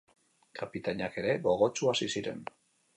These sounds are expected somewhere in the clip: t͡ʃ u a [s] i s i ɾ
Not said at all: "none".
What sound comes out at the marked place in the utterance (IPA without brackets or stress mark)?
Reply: s